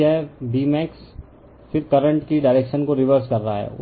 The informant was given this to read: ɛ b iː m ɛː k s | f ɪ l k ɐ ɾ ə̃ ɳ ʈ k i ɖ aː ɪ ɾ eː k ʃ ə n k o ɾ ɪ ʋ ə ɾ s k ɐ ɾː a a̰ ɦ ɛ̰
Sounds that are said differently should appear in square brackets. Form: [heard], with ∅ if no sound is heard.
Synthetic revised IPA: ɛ b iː m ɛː k s | f ɪ [ɾ] k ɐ ɾ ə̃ ɳ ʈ k i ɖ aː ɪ ɾ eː k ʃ ə n k o ɾ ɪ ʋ ə ɾ s k ɐ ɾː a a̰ ɦ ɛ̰